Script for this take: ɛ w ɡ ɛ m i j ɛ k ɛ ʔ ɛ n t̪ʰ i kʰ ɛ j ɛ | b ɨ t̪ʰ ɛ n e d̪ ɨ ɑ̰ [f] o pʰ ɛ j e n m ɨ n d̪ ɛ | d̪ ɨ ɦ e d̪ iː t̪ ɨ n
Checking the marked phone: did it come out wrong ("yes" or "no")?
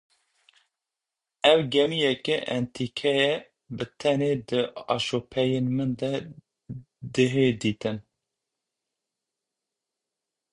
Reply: yes